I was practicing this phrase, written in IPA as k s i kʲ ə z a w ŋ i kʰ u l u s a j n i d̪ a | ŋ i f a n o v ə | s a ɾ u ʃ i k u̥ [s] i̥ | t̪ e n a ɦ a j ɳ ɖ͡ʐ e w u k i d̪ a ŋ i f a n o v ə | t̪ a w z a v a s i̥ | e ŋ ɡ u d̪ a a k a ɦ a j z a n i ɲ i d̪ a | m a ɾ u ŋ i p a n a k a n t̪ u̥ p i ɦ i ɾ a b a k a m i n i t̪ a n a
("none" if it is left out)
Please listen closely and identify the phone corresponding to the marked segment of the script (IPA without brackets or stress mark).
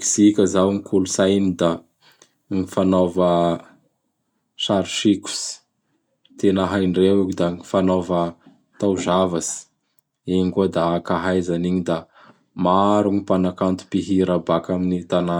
s